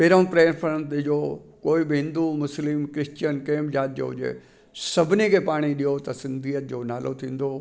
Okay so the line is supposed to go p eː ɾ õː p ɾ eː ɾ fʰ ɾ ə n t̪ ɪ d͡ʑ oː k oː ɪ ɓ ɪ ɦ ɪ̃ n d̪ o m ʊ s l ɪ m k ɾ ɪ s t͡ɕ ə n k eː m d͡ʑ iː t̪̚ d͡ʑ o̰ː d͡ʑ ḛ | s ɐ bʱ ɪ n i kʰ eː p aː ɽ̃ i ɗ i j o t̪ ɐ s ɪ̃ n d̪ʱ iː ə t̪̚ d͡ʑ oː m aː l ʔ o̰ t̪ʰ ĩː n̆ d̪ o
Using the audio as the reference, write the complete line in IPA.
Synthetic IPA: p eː ɾ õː p ɾ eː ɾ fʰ ɾ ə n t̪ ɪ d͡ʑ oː k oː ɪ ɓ ɪ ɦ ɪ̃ n d̪ u m ʊ s l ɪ m k ɾ ɪ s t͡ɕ ə n k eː m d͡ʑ aː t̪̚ d͡ʑ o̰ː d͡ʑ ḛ | s ɐ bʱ ɪ n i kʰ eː p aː ɽ̃ i ɗ i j o t̪ ɐ s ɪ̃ n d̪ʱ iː ə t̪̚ d͡ʑ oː n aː l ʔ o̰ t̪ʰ ĩː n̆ d̪ o

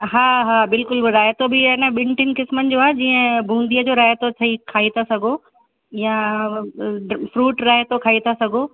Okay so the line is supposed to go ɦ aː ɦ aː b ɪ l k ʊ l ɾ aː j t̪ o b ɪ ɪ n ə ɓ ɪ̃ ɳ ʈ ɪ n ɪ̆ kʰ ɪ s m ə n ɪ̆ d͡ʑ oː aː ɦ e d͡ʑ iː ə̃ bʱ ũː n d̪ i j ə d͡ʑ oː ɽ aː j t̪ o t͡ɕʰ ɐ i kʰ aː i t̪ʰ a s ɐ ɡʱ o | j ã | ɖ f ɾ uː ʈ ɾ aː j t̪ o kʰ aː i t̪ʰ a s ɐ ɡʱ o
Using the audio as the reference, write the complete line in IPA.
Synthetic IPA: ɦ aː ɦ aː b ɪ l k ʊ l ɾ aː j t̪ o b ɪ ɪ n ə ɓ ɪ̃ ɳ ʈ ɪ n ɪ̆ k ɪ s m ə n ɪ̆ d͡ʑ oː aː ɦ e d͡ʑ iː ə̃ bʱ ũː n d̪ i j ə d͡ʑ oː ɾ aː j t̪ o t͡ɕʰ ɐ i kʰ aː i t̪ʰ a s ɐ ɡʱ o | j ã | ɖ f ɾ uː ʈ ɾ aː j t̪ o kʰ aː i t̪ʰ a s ɐ ɡʱ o

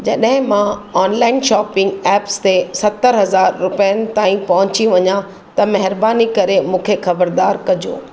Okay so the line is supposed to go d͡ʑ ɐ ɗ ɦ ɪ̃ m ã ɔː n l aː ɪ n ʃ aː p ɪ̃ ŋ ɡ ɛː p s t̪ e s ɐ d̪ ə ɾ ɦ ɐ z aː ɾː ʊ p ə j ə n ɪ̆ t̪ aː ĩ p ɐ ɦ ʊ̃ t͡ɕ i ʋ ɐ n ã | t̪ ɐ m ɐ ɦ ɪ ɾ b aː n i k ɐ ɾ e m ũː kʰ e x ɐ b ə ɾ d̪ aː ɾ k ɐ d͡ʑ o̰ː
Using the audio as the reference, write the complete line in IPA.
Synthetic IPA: d͡ʑ ɐ ɗ ɦ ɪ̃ m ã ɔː n l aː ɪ n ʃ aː p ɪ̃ ŋ ɡ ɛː p s t̪ e s ɐ t̪ ə ɾ ɦ ɐ z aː ɾː ʊ p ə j ə n ɪ̆ t̪ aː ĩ p ɐ ɦ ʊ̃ t͡ɕ i ʋ ɐ ɲ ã | t̪ ɐ m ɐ ɦ ɪ ɾ b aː n i k ɐ ɾ e m ũː kʰ e x ɐ b ə ɾ d̪ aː ɾ k ɐ d͡ʑ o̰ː

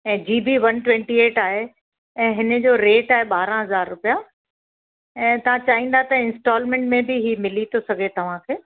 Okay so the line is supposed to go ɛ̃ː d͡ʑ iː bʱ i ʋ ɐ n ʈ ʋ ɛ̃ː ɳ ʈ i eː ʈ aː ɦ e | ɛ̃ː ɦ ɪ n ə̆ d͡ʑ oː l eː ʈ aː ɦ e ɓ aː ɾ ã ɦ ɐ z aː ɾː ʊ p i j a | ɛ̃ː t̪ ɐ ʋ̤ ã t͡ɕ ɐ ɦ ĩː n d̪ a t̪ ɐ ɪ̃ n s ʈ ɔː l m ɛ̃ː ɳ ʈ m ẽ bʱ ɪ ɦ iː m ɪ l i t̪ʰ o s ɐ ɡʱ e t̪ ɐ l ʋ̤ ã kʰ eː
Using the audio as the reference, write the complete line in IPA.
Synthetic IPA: ɛ̃ː d͡ʑ iː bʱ i ʋ ɐ n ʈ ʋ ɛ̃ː ɳ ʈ i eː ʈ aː ɦ e | ɛ̃ː ɦ ɪ n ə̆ d͡ʑ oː ɾ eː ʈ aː ɦ e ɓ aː ɾ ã ɦ ɐ z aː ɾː ʊ p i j a | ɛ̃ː t̪ ɐ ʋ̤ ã t͡ɕ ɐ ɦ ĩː n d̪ a t̪ ɐ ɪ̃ n s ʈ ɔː l m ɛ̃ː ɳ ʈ m ẽ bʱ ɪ ɦ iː m ɪ l i t̪ʰ o s ɐ ɡʱ e t̪ ɐ ʋ̤ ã kʰ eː

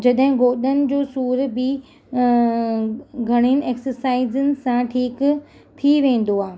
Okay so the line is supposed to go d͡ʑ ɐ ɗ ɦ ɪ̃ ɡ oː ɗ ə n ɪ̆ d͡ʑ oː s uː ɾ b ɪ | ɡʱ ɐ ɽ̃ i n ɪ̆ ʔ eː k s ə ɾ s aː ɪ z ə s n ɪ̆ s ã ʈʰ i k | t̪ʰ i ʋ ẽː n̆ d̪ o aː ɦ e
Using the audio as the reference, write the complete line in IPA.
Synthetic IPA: d͡ʑ ɐ ɗ ɦ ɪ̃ ɡ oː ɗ ə n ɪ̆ d͡ʑ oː s uː ɾ b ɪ | ɡʱ ɐ ɽ̃ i n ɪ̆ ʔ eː k s ə ɾ s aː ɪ z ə n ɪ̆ s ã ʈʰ iː k | t̪ʰ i ʋ ẽː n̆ d̪ o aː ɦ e

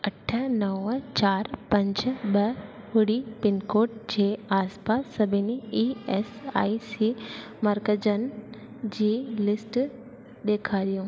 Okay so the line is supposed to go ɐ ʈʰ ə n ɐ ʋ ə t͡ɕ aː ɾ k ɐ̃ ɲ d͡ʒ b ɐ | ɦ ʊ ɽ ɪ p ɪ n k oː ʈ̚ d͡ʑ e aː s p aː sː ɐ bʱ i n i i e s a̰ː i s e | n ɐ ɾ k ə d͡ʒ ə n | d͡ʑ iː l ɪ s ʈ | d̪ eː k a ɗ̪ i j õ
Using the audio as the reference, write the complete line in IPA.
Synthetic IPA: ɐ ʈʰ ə n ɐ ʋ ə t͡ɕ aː ɾ p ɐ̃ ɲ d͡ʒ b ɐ | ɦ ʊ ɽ i p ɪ n k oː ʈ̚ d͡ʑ e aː s p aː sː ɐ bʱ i n i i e s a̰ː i s i | m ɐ ɾ k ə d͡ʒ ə n | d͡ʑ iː l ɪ s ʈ | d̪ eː kʰ a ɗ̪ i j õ

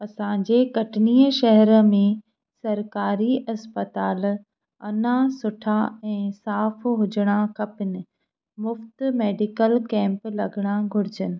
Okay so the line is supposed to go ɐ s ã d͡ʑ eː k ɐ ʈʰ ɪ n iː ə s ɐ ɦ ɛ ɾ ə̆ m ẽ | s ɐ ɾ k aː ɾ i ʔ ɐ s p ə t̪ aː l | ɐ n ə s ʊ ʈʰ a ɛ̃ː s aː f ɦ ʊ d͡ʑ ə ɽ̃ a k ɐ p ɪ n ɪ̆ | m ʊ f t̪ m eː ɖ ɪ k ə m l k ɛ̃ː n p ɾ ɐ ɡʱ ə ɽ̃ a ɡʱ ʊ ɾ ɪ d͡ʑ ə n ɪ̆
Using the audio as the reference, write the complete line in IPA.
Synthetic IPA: ɐ s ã d͡ʑ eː k ɐ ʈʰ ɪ n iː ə ʃ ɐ ɦ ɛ ɾ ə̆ m ẽ | s ɐ ɾ k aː ɾ i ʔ ɐ s p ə t̪ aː l | ɐ n a s ʊ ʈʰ a ɛ̃ː s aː f ɦ ʊ d͡ʑ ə ɽ̃ a k ɐ p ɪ n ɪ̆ | m ʊ f t̪ m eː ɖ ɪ k ə l k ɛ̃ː m p l ɐ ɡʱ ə ɽ̃ a ɡʱ ʊ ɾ ɪ d͡ʑ ə n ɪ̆

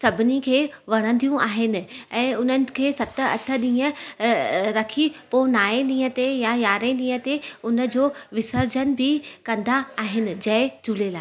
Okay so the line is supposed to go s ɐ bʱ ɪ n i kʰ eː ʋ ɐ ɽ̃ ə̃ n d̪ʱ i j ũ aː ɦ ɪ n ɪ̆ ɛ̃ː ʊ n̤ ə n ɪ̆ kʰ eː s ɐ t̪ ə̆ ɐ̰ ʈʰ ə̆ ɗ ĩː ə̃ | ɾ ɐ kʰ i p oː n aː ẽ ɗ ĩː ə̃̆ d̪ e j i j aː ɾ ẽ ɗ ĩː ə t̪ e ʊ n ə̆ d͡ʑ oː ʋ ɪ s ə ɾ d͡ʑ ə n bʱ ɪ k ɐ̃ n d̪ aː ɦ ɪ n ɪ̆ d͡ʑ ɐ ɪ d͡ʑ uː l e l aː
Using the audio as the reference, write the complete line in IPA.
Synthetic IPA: s ɐ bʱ ɪ n i kʰ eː ʋ ɐ ɽ̃ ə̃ n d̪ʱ i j ũ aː ɦ ɪ n ɪ̆ ɛ̃ː ʊ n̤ ə n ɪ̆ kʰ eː s ɐ t̪ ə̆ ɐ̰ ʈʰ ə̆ ɗ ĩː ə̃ | ɾ ɐ kʰ i p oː n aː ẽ ɗ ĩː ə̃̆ t̪ e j a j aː ɾ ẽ ɗ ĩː ə t̪ e ʊ n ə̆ d͡ʑ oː ʋ ɪ s ə ɾ d͡ʑ ə n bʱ ɪ k ɐ̃ n d̪ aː ɦ ɪ n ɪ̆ d͡ʑ ɐ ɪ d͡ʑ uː l e l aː

